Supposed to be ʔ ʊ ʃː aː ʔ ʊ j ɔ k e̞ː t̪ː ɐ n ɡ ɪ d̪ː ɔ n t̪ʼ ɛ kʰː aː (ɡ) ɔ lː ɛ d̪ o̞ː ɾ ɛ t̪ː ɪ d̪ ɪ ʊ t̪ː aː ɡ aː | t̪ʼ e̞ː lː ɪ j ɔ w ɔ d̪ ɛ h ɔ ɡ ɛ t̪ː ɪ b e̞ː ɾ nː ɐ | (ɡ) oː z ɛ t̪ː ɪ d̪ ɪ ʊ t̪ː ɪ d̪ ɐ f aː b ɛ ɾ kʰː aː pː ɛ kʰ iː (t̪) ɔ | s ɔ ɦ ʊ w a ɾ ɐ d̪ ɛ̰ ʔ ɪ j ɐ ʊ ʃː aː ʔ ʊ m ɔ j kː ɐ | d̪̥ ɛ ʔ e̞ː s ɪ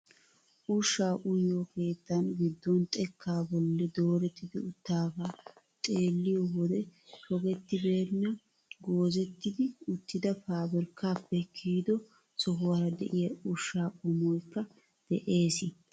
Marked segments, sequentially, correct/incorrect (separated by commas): incorrect, correct, incorrect